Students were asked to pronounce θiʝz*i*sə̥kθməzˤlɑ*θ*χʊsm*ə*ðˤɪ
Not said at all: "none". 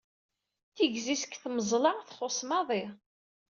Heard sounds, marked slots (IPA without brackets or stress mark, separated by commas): i, θ, ɑ